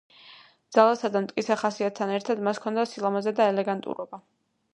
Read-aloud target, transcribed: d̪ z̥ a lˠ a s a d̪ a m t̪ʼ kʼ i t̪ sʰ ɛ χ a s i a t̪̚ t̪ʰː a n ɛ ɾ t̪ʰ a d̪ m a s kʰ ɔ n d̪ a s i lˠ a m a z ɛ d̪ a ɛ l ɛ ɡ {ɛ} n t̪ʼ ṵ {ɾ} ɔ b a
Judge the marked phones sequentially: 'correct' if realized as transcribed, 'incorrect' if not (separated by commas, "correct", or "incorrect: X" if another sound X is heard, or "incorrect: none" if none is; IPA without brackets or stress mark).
incorrect: a, correct